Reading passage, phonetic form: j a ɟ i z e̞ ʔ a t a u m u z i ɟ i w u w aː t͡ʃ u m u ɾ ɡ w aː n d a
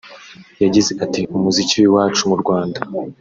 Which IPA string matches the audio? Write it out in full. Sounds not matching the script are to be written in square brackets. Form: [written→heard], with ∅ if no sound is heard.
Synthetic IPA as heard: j a ɟ i z e̞ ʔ a t [a→i] u m u z i [ɟ→c] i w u w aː t͡ʃ u m u ɾ ɡ w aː n d a